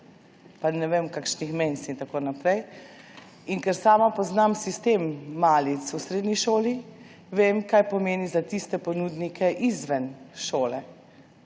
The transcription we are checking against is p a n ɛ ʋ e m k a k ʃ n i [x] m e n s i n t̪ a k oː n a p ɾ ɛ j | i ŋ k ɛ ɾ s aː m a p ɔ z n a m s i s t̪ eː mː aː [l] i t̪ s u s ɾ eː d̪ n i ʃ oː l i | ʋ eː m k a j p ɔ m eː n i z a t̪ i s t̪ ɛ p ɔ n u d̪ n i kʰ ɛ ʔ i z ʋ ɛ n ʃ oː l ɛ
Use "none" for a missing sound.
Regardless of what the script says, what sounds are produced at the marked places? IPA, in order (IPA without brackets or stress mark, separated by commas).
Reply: x, l